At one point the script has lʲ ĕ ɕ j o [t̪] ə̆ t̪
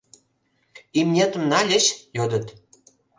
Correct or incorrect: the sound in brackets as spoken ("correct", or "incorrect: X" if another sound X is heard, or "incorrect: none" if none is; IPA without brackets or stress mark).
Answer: incorrect: d̪